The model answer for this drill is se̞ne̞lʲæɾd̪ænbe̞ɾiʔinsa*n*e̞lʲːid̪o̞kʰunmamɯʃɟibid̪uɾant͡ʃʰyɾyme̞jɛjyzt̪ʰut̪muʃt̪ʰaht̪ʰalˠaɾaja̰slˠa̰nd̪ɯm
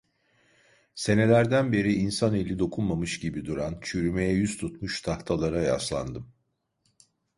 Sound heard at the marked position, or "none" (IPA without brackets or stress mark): n